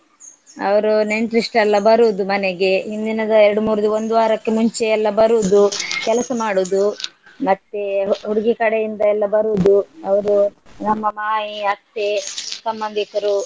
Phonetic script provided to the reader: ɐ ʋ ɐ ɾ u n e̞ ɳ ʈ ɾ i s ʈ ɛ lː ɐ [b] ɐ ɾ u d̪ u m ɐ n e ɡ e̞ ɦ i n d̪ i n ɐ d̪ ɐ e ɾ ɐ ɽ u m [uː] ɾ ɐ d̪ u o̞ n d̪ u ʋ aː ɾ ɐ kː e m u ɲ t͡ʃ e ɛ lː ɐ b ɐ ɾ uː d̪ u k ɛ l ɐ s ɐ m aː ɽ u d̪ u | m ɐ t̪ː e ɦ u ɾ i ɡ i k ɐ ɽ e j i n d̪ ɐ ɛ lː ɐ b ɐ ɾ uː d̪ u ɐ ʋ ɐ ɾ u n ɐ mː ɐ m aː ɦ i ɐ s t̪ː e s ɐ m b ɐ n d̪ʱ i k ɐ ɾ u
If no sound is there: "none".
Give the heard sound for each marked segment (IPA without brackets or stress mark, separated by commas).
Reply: b, uː